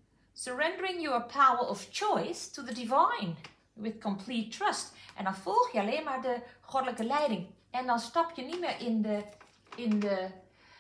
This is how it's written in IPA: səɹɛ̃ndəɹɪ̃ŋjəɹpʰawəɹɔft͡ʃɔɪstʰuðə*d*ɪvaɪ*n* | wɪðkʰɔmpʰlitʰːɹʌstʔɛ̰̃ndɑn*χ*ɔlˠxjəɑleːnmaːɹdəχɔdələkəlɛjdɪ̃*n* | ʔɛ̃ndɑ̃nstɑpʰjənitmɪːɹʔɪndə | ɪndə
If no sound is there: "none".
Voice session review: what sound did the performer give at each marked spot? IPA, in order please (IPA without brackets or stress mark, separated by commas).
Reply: d, n, f, ŋ